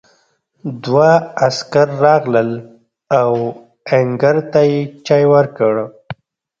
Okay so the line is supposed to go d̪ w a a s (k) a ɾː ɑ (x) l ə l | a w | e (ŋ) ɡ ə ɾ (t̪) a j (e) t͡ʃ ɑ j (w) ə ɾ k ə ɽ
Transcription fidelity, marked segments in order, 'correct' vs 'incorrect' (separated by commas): correct, incorrect, correct, correct, correct, correct